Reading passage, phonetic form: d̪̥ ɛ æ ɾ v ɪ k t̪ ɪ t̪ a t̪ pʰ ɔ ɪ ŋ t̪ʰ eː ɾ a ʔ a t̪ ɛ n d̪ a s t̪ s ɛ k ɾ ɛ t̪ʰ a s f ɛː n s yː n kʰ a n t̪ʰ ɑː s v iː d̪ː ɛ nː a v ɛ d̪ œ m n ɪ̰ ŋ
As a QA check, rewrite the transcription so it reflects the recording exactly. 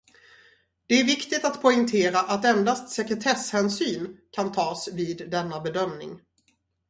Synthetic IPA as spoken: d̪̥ ɛ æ ɾ v ɪ k t̪ ɪ t̪ a t̪ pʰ ɔ ɪ ŋ t̪ʰ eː ɾ a ʔ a t̪ ɛ n d̪ a s t̪ s ɛ k ɾ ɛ t̪ʰ ɛ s h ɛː n s yː n kʰ a n t̪ʰ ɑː s v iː d̪ː ɛ nː a b ɛ d̪ œ m n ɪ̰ ŋ

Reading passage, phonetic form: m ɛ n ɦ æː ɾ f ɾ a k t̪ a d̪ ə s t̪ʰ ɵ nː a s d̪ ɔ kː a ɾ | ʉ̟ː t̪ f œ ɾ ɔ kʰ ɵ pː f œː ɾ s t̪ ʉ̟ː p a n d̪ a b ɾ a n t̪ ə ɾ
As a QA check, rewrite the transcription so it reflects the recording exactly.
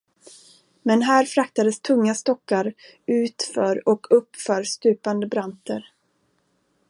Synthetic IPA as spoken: m ɛ n ɦ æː ɾ f ɾ a k t̪ a d̪ ə s t̪ʰ ɵ ŋː a s t̪ ɔ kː a ɾ | ʉ̟ː t̪ f œ ɾ ɔ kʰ ɵ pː f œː ɾ s t̪ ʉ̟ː p a n d̪ ə b ɾ a n t̪ ə ɾ

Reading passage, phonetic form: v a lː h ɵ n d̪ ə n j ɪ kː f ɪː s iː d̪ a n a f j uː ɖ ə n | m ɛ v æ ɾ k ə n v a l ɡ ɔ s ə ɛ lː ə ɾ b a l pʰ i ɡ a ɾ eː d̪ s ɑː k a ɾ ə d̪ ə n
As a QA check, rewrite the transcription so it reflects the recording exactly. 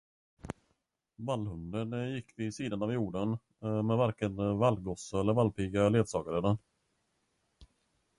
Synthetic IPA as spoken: v a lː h ɵ n d̪ ə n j ɪ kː v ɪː s iː d̪ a n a v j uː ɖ ə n | m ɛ v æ ɾ k ə n v a l ɡ ɔ s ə ɛ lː ə ɾ v a l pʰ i ɡ a l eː d̪ s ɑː ɡ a ɾ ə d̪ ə n

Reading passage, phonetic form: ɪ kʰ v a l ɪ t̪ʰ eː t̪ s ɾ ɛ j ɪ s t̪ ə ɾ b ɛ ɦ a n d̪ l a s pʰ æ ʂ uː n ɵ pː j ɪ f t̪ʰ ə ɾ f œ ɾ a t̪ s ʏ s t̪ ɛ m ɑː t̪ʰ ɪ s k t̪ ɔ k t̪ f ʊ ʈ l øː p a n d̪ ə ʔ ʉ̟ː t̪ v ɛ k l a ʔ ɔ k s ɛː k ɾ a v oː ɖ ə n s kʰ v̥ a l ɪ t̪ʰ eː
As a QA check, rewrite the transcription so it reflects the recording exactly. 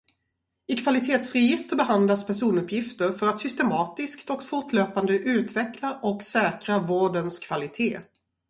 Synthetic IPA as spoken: ɪ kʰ v a l ɪ t̪ʰ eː t̪ s ɾ ɛ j ɪ s t̪ ə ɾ b ɛ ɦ a n d̪ l a s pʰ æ ʂ uː n ɵ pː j ɪ f t̪ ə ɾ f œ ɾ a t̪ s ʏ s t̪ ɛ m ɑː t̪ ɪ s k t̪ ɔ k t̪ f ʊ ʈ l øː p a n d̪ ə ʔ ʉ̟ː t̪ v ɛ k l a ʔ ɔ k s ɛː k ɾ a v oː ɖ ə n s kʰ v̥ a l ɪ t̪ʰ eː

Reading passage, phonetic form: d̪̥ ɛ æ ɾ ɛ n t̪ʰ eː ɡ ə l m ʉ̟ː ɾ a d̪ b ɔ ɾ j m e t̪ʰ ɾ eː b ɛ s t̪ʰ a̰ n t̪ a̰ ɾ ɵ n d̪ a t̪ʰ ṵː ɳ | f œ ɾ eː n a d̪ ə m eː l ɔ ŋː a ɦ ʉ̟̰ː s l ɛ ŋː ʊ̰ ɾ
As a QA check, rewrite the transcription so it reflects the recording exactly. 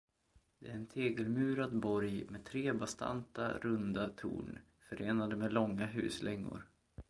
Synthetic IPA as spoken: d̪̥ ɛ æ ɾ ɛ n t̪ʰ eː ɡ ə l m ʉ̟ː ɾ a d̪ b ɔ ɾ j m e t̪ʰ ɾ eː b a s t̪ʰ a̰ n t̪ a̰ ɾ ɵ n d̪ a t̪ʰ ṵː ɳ | f œ ɾ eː n a d̪ ə m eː l ɔ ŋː a ɦ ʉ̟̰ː s l ɛ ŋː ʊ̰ ɾ

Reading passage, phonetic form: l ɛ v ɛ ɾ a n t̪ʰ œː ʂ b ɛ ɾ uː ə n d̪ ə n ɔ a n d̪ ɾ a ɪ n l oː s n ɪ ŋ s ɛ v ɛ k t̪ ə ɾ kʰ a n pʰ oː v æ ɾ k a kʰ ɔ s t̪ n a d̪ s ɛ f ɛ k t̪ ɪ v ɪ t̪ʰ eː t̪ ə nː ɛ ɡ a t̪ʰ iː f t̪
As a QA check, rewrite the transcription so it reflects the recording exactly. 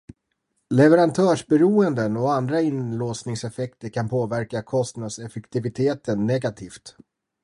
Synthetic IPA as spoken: l ɛ v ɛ ɾ a n t̪ʰ œː ʂ b ɛ ɾ uː ə n d̪ ə n ɔ a n d̪ ɾ a ɪ n l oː s n ɪ ŋ s ɛ f ɛ k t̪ ə ɾ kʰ a n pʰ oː v æ ɾ k a kʰ ɔ s t̪ n a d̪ s ɛ f ɛ k t̪ ɪ v ɪ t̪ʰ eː t̪ ə nː ɛ ɡ a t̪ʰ iː f t̪

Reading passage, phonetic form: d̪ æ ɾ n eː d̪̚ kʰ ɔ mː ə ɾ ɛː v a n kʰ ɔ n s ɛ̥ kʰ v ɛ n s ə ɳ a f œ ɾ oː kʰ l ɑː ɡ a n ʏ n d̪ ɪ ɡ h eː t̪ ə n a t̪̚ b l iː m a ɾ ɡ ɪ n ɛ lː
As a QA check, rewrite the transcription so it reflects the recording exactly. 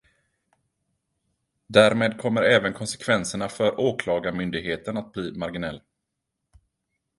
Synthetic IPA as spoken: d̪ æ ɾ m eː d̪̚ kʰ ɔ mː ə ɾ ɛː v ə n kʰ ɔ n s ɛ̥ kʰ v ɛ n s ə ɳ a f œ ɾ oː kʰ l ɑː ɡ a m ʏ n d̪ ɪ ɡ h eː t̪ ə n a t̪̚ b l iː m a ɾ ɡ ɪ n ɛ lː

